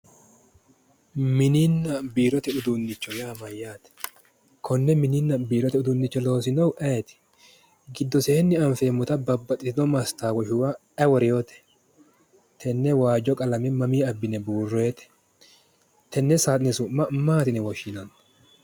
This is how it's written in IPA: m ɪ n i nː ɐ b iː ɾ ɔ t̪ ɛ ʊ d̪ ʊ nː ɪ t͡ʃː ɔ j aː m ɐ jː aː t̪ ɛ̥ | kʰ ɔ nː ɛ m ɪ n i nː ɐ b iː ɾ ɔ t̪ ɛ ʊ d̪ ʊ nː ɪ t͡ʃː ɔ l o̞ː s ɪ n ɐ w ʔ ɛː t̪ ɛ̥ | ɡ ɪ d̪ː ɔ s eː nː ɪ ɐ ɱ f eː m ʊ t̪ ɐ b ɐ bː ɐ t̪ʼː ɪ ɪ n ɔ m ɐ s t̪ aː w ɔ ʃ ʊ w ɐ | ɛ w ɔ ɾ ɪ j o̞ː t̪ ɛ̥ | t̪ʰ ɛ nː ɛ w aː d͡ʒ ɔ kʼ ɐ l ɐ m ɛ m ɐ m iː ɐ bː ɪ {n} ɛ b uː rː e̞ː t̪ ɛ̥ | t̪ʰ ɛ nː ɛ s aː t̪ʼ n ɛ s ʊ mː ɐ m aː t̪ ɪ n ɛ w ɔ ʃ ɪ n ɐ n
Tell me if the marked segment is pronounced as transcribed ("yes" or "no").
yes